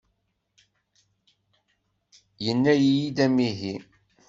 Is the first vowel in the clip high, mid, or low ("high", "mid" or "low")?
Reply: mid